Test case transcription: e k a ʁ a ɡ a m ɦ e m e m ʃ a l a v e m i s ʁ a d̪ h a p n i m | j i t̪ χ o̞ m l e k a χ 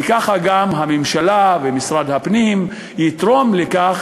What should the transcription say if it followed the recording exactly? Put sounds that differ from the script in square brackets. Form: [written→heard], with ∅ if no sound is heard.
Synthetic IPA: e k a [ʁ→χ] a ɡ a m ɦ [e→a] m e m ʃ a l a v e m i s ʁ a d̪ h a p n i m | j i t̪ [χ→ʁ] o̞ m l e k a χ